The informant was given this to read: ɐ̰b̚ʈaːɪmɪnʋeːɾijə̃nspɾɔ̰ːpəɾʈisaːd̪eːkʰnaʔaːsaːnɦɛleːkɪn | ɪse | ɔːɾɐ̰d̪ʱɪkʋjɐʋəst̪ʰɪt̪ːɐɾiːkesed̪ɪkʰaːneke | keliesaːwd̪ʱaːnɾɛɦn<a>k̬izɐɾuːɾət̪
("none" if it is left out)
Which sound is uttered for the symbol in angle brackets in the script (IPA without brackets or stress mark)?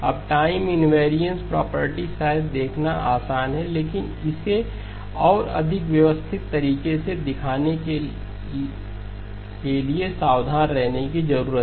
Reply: e